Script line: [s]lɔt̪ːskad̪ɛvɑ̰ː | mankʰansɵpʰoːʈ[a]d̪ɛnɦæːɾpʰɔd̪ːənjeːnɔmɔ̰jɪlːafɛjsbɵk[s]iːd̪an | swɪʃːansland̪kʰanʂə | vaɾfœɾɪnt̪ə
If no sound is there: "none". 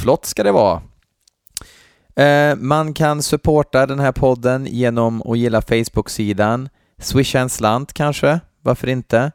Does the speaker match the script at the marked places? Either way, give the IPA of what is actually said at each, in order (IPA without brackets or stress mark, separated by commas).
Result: f, a, s